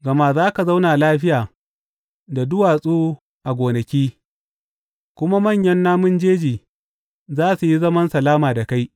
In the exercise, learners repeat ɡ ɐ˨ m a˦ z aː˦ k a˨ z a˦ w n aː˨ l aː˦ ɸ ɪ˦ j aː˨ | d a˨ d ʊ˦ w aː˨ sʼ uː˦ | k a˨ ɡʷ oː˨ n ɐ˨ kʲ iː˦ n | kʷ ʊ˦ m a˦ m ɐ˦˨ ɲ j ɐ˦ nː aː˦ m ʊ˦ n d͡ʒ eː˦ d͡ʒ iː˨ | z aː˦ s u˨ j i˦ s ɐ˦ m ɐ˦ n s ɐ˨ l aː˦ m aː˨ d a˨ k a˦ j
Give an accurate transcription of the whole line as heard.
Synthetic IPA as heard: ɡ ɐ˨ m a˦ z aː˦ k a˨ z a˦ w n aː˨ l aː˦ ɸ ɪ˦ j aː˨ | d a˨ d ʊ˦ w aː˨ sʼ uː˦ | ʔ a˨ ɡʷ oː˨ n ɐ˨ kʲ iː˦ | kʷ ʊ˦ m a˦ m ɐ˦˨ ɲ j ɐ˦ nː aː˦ m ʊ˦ n d͡ʒ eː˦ d͡ʒ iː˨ | z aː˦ s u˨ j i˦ z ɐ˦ m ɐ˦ n s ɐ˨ l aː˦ m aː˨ d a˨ k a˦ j

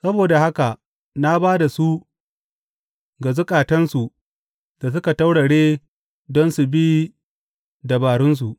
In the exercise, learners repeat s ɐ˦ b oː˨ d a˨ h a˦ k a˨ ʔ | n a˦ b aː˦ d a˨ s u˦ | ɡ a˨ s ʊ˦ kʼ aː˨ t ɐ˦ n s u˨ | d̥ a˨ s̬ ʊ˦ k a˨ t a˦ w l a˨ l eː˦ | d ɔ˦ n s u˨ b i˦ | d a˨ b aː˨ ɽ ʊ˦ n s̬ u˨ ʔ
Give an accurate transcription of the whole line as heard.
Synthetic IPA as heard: s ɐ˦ b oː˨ d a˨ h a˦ k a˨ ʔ | n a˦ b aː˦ d a˨ s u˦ | ɡ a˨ z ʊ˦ kʼ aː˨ t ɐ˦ n s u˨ | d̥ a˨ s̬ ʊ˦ k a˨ t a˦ w ɽ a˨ ɽ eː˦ | d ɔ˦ n s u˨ b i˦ | d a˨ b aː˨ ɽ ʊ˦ n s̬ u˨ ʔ

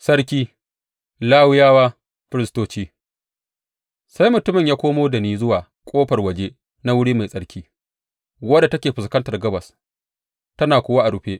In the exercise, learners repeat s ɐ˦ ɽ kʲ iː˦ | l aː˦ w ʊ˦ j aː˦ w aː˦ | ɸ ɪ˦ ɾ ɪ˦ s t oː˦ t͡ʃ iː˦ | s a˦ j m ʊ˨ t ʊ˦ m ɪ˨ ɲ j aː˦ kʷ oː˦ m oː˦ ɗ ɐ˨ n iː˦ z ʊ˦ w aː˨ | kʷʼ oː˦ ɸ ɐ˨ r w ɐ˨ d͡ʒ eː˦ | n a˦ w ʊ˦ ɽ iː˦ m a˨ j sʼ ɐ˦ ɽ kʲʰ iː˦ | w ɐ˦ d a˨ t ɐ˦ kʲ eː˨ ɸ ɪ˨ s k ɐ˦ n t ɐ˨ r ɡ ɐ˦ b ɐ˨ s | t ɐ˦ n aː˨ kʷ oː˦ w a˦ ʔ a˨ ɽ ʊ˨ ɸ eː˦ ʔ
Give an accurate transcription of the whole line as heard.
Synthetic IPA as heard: s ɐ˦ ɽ kʲ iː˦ | l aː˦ w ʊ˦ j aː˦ w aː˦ | ɸ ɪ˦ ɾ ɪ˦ s t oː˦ t͡ʃ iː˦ | s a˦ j m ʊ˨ t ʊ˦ m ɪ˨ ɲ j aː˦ kʷ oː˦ m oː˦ d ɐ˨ n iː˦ z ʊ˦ w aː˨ | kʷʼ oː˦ ɸ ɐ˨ r w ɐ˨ d͡ʒ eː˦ | n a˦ w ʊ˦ ɽ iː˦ m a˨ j sʼ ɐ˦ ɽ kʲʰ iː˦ | w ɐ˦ d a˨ t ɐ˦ kʲ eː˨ ɸ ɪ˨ s k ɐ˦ n t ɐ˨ r ɡ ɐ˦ b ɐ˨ s | t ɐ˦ n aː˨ kʷ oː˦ w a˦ ʔ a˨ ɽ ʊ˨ ɸ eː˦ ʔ

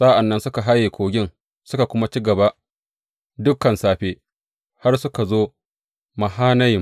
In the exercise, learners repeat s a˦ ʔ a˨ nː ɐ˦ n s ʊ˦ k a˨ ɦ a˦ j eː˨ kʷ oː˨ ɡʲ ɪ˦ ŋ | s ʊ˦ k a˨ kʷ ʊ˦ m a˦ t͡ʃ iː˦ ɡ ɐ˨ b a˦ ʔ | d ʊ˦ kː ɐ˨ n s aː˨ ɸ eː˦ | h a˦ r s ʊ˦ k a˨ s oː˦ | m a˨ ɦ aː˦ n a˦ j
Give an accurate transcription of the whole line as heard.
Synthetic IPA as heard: s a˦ ʔ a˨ nː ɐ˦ n s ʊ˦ k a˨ ɦ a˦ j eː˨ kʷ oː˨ ɡʲ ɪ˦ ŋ | s ʊ˦ k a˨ kʷ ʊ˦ m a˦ t͡ʃ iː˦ ɡ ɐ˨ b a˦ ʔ | d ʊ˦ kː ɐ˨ n s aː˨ ɸ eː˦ | h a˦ r s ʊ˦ k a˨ z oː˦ | m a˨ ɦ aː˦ n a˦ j

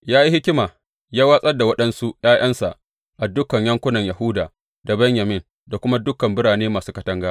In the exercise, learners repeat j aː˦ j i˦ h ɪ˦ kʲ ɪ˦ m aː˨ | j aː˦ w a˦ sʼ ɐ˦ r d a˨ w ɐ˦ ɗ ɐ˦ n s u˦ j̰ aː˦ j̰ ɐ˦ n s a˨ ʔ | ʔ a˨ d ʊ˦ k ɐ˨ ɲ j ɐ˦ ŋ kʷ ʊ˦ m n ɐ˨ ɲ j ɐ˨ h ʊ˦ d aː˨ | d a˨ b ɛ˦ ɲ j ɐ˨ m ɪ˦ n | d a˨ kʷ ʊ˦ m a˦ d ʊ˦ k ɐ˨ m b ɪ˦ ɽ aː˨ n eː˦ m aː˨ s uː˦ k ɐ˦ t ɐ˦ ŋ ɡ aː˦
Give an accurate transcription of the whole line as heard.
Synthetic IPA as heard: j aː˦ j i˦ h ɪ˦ kʲ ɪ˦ m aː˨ | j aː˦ w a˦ sʼ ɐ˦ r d a˨ w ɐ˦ ɗ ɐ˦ n s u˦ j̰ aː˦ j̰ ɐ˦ n s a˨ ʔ | ʔ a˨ d ʊ˦ k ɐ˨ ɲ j ɐ˦ ŋ kʷ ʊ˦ n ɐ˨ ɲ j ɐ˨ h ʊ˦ d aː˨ | d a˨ b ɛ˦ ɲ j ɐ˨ m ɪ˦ n | d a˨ kʷ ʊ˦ m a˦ d ʊ˦ k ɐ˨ m b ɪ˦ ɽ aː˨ n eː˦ m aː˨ s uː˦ k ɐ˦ t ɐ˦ ŋ ɡ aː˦

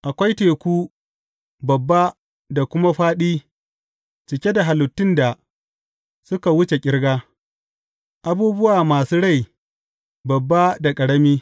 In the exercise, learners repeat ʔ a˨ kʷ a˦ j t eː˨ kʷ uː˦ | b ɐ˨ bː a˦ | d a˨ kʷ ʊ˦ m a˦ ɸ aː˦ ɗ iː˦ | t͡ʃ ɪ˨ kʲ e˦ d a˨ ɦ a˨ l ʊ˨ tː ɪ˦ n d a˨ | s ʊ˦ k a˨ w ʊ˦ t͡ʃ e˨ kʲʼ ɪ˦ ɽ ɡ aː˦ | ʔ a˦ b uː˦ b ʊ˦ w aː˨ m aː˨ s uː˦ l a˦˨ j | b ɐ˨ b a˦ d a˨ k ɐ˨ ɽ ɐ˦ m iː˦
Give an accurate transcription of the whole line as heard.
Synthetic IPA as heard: ʔ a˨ kʷ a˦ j t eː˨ kʷ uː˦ | b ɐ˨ bː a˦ | d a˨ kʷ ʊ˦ m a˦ ɸ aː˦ ɗ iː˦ | t͡ʃ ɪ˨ kʲ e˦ d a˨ ɦ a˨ l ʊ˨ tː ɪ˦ n d a˨ | s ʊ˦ k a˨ w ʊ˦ t͡ʃ e˨ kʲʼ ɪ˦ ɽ ɡ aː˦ | ʔ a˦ b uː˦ b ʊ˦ w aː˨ m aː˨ s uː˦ ɽ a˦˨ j | b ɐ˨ bː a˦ d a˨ kʼ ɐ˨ ɽ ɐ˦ m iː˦

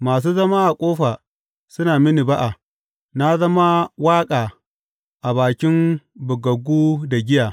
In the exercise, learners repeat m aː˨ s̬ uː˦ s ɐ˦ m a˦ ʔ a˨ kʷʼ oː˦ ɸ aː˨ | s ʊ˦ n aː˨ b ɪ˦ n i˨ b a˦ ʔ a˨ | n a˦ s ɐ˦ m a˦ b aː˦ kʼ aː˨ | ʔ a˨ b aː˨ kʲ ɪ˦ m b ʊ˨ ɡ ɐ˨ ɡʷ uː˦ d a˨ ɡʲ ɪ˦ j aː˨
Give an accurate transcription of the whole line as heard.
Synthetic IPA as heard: m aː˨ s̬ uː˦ z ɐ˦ m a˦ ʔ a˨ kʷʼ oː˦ ɸ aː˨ | s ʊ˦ n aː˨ m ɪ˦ n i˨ b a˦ ʔ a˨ | n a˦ z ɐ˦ m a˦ w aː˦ kʼ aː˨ | ʔ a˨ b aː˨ kʲ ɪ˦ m b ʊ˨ ɡ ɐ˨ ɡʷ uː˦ d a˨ ɡʲ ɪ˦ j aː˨

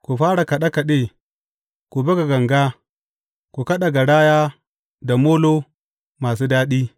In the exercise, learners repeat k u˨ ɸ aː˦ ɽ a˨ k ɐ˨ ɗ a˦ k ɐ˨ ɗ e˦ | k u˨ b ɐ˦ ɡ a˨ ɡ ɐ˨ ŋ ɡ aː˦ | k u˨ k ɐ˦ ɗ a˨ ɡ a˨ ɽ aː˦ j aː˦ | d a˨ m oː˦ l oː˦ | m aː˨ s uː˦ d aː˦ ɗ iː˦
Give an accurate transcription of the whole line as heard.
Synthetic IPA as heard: k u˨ ɸ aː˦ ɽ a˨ k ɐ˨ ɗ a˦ k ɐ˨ ɗ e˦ | k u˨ b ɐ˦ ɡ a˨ ɡ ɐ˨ ŋ ɡ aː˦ | k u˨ k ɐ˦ ɗ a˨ ɡ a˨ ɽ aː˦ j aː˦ | d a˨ m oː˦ l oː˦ | m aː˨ s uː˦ d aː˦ ɗ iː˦

